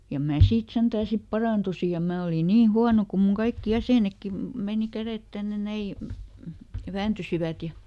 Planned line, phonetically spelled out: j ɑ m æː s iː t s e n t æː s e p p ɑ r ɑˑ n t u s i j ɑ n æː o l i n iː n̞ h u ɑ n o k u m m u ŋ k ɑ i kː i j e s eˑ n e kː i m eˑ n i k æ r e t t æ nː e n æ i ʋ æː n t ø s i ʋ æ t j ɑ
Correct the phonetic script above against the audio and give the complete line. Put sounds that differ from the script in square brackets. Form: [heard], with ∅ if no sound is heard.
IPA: j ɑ m æː s iː t s e n t æː s [i] p p ɑ r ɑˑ n t u s i j ɑ [m] æː o l i n iː n̞ h u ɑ n o k u m m u ŋ k ɑ i kː i j [æ] s eˑ n e kː i m eˑ n i k æ r e t t æ nː e n æ i ʋ æː n t [y] s i ʋ æ t j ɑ